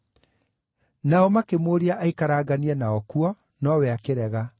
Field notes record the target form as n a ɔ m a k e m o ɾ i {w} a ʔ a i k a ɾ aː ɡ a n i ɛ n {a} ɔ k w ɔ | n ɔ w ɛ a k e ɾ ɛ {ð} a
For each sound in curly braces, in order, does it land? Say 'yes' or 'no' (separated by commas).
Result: no, yes, no